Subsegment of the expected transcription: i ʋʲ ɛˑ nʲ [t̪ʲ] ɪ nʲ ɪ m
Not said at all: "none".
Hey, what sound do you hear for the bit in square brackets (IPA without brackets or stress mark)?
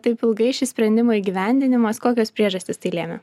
d̪ʲ